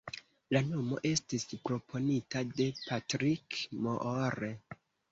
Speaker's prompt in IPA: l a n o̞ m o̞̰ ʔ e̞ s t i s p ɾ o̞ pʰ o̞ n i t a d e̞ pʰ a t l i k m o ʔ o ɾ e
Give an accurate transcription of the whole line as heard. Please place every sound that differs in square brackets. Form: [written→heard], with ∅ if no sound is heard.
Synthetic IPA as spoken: l a n o̞ m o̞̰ ʔ e̞ s t i s p ɾ o̞ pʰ o̞ n i t a d e̞ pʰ a t [l→ɾ] i k m o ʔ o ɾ e